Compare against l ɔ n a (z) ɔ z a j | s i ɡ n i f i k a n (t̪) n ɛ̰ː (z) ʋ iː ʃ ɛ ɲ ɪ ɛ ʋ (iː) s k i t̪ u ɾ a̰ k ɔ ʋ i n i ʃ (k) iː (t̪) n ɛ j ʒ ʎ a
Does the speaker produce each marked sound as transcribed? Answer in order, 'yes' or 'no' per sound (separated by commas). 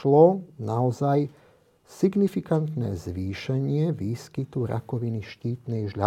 no, yes, yes, yes, no, yes